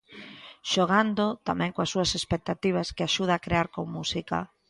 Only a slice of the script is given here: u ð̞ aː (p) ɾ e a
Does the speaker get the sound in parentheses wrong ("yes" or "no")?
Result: yes